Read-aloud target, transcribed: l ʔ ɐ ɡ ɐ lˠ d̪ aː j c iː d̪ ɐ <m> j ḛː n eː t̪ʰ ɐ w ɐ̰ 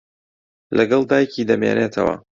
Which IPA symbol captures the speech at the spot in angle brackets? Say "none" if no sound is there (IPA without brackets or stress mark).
m